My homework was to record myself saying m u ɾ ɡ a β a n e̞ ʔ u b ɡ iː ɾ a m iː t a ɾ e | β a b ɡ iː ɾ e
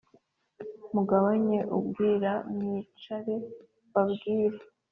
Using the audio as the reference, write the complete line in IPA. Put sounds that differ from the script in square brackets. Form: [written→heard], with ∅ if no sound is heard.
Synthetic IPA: m u [ɾ→∅] ɡ a β a [n→ɲ] e̞ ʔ u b ɡ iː ɾ a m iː [t→t͡ʃ] a ɾ e | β a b ɡ iː ɾ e

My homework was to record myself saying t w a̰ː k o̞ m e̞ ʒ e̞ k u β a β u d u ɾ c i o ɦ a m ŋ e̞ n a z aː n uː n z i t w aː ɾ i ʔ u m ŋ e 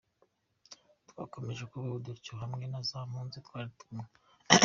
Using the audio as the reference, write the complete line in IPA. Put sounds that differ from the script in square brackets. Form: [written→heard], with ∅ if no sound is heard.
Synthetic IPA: t w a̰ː k o̞ m e̞ ʒ e̞ k u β a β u d u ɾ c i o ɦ a m ŋ e̞ n a z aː [n→m] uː n z i t w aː ɾ i [ʔ→t] u m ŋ e

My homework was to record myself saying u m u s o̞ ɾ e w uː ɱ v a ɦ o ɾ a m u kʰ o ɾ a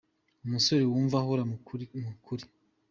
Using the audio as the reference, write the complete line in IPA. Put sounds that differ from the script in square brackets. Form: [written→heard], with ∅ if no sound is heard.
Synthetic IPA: u m u s o̞ ɾ e w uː ɱ v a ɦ o ɾ a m u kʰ [o→u] ɾ [a→i]

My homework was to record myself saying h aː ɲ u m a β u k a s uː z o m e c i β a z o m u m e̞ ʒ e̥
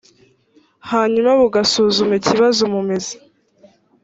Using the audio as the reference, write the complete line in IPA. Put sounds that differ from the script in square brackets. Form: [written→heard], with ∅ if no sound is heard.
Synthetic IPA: h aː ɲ u m a β u [k→ɡ] a s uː z [o→u] m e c i β a z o m u m e̞ [ʒ→z] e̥

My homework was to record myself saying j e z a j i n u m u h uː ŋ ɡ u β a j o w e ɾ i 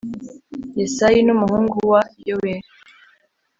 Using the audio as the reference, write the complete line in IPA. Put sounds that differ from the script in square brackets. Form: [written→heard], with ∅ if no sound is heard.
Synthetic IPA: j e [z→s] a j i n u m u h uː ŋ ɡ u [β→w] a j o w e ɾ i

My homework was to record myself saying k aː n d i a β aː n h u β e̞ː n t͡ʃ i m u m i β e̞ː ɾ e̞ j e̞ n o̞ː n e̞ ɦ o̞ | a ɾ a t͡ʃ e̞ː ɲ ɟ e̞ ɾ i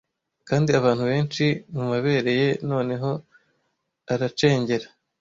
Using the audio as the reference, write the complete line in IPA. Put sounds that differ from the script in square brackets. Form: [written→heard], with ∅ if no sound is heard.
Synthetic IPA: k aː n d i a β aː n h u β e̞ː n t͡ʃ i m u m [i→a] β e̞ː ɾ e̞ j e̞ n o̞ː n e̞ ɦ o̞ | a ɾ a t͡ʃ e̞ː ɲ ɟ e̞ ɾ [i→a]

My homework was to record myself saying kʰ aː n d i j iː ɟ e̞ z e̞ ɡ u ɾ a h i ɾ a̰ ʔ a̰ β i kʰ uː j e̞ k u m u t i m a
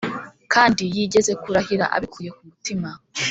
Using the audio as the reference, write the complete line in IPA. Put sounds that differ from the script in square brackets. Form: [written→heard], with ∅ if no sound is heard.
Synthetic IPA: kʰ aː n d i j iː ɟ e̞ z e̞ [ɡ→k] u ɾ a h i ɾ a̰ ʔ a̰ β i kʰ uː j e̞ k u m u t i m a

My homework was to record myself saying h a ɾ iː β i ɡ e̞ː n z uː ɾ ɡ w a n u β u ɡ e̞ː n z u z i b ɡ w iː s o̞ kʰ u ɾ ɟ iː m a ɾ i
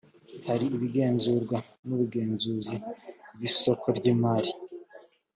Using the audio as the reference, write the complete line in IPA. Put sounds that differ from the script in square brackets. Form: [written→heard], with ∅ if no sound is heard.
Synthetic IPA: h a ɾ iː β i ɡ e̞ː n z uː ɾ ɡ w a n u β u ɡ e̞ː n z u z i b ɡ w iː s o̞ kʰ [u→o] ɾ ɟ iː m a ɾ i

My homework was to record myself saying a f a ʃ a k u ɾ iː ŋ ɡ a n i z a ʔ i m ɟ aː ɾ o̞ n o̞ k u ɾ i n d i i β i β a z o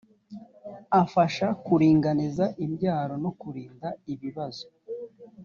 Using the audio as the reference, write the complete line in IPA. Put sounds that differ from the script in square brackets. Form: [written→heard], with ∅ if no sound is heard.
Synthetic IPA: a f a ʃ a k u ɾ iː ŋ ɡ a n i z a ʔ i m ɟ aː ɾ o̞ n o̞ k u ɾ [i→iː] n d [i→a] i β i β a z o

